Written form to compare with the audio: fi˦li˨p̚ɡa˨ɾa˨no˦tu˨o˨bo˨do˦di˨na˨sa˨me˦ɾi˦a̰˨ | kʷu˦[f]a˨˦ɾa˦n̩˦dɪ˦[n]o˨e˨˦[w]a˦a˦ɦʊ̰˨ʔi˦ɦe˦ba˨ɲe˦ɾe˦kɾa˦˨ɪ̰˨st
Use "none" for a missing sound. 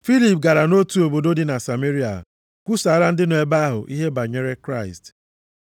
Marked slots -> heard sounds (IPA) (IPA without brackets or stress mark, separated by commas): s, n, b